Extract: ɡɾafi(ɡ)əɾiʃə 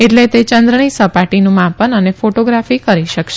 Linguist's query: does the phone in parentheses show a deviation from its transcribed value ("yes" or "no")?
yes